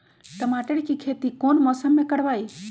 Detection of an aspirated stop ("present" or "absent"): present